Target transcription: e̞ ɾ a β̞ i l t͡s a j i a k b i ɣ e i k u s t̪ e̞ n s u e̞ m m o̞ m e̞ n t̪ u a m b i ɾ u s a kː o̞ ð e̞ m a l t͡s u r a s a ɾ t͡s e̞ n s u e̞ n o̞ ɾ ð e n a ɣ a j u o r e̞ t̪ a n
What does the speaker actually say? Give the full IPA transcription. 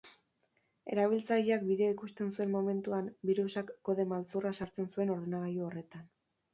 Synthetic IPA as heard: e̞ ɾ a β̞ i l t͡s a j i a k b i ð e i k u s t̪ e̞ n s u e̞ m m o̞ m e̞ n t̪ u a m b i ɾ u s a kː o̞ ð e̞ m a l t͡s u r a s a ɾ t͡s e̞ n s u e̞ n o̞ ɾ ð e n a ɣ a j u o r e̞ t̪ a n